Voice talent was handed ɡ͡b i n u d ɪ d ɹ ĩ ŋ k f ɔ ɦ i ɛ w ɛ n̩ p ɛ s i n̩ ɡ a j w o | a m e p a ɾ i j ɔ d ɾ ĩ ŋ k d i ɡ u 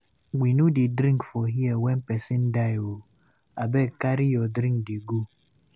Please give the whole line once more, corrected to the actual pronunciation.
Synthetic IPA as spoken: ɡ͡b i n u d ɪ d ɾ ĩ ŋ k f ɔ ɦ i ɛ w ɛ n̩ p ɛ s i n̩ d a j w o | a b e k a ɾ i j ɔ d ɾ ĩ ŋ k d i ɡ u